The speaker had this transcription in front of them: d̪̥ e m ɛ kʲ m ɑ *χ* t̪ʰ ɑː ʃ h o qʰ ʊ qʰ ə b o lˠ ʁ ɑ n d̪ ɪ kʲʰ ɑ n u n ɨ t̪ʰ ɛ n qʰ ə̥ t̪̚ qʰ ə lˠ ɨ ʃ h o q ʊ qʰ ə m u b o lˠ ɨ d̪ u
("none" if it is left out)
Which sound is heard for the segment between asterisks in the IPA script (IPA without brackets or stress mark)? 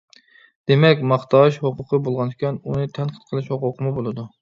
χ